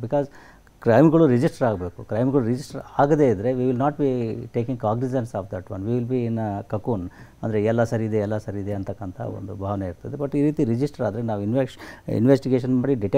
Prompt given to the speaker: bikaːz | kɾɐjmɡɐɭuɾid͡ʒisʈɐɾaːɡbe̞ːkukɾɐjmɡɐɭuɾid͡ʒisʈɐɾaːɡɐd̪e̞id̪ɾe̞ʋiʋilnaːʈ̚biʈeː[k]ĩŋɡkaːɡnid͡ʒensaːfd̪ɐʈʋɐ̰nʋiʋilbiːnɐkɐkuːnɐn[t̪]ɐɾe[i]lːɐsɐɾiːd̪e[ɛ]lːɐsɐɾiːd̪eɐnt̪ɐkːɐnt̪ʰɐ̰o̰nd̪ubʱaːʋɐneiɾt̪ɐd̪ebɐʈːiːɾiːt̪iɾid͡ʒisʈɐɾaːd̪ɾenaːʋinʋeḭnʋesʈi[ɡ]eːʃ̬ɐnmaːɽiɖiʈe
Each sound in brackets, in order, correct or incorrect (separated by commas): correct, incorrect, incorrect, correct, correct